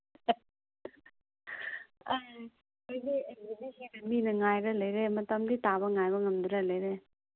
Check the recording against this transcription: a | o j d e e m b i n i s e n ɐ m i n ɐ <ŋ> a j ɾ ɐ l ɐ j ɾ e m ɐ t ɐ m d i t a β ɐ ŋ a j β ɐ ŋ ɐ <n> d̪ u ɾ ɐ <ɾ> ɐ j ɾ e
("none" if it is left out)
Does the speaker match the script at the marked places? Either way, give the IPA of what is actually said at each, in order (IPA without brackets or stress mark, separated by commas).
ŋ, m, l